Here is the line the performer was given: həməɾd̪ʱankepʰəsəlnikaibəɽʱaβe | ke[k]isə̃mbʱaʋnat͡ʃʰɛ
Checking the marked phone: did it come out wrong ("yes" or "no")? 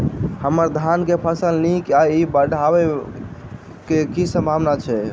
no